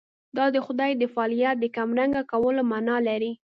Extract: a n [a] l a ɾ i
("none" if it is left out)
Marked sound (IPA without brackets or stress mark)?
ɑ